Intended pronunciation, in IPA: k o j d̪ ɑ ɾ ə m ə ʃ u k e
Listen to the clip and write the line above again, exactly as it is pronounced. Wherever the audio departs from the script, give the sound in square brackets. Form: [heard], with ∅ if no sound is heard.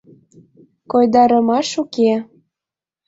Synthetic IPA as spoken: k o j d̪ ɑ ɾ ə m [ɑ] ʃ u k e